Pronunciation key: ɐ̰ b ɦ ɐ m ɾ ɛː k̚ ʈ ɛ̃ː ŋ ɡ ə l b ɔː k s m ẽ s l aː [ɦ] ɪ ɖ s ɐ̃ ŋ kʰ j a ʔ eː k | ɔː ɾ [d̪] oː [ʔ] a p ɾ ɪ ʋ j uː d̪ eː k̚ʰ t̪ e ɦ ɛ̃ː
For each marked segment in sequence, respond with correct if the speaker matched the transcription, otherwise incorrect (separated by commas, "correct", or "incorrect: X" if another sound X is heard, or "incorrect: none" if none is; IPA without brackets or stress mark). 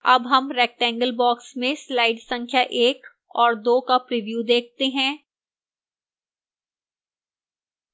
incorrect: none, correct, incorrect: k